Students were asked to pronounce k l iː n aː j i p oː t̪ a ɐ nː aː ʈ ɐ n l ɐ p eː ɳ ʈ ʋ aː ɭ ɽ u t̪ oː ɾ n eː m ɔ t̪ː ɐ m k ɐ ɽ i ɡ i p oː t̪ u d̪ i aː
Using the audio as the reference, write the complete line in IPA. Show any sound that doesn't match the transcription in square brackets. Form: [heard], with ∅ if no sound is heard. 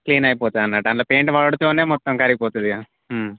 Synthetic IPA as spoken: k l iː n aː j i p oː t̪ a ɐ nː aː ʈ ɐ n l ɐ p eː ɳ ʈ ʋ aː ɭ ɽ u t̪ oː [∅] n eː m ɔ t̪ː ɐ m k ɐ [ɾ] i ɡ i p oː t̪ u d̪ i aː